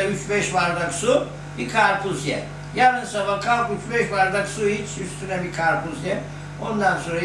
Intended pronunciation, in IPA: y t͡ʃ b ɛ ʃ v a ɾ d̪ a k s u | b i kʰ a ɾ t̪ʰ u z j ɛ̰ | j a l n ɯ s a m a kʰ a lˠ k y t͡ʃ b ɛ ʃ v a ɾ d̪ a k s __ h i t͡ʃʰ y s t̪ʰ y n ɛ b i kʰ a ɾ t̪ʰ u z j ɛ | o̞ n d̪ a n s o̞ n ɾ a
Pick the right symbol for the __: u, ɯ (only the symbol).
u